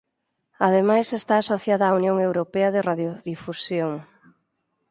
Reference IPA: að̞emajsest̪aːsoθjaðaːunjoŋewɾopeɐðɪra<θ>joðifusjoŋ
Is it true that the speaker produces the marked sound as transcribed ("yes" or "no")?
no